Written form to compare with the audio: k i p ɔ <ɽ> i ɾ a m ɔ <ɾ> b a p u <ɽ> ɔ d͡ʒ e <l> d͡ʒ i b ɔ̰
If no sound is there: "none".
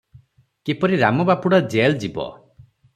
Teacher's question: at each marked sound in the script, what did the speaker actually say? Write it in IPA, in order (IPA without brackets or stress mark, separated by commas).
ɾ, none, ɽ, l